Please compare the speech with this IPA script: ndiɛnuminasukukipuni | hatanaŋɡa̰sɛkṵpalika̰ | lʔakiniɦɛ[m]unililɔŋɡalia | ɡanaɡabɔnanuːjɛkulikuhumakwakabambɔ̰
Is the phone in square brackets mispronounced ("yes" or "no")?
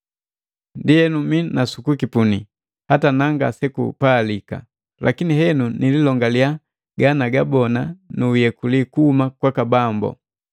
yes